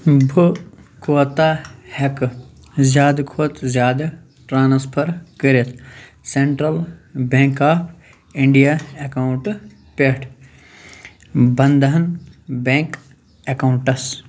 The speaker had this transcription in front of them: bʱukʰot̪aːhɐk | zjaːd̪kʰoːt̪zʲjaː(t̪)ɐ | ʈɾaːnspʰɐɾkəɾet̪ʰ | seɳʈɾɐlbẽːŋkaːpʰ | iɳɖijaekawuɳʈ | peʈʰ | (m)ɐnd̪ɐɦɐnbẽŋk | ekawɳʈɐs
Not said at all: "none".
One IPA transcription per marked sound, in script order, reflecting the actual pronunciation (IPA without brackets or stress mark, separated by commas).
d̪, b